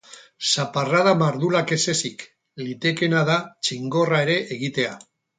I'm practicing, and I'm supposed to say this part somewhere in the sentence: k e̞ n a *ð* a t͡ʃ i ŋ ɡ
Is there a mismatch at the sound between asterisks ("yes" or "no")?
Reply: no